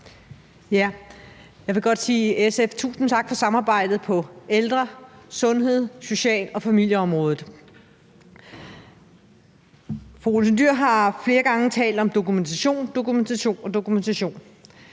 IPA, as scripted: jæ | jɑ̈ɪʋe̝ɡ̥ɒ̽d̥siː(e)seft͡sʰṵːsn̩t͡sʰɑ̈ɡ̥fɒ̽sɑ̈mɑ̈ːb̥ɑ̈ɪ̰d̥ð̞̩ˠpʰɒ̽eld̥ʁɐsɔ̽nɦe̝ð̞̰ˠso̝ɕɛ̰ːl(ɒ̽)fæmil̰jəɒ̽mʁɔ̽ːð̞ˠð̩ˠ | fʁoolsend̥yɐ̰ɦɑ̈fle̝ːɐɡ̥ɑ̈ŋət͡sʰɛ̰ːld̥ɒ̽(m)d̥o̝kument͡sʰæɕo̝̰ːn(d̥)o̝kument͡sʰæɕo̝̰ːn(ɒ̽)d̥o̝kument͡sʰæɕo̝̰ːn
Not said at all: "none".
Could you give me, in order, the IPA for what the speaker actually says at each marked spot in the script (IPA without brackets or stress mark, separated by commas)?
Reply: e, ɒ̽, m, d̥, ɒ̽